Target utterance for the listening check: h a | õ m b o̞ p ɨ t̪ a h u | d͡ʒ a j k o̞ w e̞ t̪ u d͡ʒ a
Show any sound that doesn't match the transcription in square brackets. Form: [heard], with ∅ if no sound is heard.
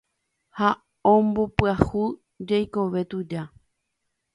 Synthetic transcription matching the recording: h a | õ m b o̞ p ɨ [∅] a h u | d͡ʒ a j k o̞ [ʋ] e̞ t̪ u d͡ʒ a